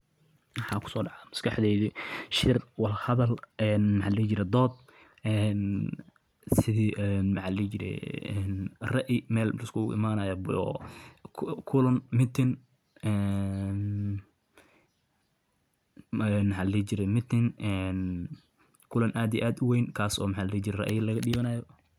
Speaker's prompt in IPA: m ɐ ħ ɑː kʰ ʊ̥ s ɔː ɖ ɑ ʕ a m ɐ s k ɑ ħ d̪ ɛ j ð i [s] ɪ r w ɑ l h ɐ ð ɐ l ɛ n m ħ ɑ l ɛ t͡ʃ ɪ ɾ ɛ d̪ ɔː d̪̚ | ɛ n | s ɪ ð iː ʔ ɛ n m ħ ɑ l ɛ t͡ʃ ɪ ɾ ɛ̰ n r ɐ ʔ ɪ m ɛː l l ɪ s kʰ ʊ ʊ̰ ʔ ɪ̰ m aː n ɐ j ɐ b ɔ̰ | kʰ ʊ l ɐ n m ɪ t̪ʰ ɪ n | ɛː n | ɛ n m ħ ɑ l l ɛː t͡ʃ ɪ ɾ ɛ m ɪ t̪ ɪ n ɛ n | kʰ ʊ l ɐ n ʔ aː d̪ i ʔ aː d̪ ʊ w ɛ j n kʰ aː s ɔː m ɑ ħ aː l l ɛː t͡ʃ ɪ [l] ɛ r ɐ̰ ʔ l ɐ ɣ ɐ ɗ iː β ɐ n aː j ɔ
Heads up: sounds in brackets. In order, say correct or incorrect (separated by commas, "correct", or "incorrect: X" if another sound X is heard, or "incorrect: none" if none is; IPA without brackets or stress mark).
incorrect: ʃ, incorrect: ɾ